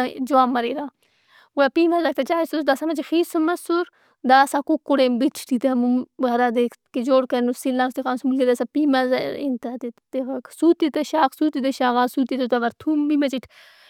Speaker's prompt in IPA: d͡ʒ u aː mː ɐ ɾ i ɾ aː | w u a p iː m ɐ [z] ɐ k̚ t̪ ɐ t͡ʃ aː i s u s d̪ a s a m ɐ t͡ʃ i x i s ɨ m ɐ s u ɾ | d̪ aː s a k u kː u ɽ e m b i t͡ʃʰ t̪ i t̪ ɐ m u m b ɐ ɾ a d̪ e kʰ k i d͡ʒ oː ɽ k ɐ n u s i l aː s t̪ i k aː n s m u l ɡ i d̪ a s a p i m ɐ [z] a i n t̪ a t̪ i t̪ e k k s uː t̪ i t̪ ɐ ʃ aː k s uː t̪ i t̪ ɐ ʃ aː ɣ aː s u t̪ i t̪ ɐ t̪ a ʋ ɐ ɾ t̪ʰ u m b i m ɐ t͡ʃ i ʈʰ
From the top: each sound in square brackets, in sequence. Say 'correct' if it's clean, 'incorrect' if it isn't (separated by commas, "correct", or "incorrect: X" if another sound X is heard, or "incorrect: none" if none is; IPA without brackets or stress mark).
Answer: correct, correct